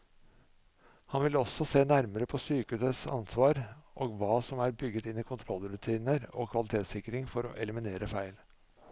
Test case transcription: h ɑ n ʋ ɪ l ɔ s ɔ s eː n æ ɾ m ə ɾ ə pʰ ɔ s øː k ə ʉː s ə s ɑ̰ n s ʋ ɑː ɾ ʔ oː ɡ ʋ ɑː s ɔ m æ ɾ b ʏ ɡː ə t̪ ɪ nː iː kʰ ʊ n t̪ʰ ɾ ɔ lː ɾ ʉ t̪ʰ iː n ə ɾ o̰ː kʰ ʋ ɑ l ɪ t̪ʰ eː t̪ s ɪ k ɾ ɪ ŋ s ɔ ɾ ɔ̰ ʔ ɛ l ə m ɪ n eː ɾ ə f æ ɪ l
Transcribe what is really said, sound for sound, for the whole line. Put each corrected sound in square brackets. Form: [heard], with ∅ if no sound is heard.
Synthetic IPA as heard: h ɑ n ʋ ɪ l ɔ s ɔ s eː n æ ɾ m ə ɾ ə pʰ ɔ s [yː] k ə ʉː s ə s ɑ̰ n s ʋ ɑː ɾ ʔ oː ɡ ʋ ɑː s ɔ m æ ɾ b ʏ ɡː ə t̪ ɪ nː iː kʰ ʊ n t̪ʰ ɾ ɔ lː ɾ ʉ t̪ʰ iː n ə ɾ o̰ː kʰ ʋ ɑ l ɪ t̪ʰ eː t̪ s ɪ k ɾ ɪ ŋ [f] ɔ ɾ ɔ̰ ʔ ɛ l ə m ɪ n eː ɾ ə f æ ɪ l